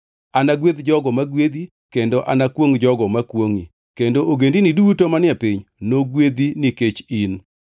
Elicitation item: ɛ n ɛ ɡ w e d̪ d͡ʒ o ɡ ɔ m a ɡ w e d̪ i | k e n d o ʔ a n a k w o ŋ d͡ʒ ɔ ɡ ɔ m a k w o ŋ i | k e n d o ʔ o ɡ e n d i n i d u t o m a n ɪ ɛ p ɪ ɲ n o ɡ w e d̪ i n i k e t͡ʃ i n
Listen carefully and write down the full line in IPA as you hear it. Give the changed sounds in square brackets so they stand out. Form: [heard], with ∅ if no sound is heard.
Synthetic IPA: [a] n [a] ɡ w e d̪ d͡ʒ [ɔ] ɡ ɔ m a ɡ w e d̪ i | k e n d o ʔ a n a k w o ŋ d͡ʒ ɔ ɡ ɔ m a k w o ŋ i | k e n d o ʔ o ɡ e n d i n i d u t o m a n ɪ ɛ p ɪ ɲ n o ɡ w e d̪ i n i k e t͡ʃ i n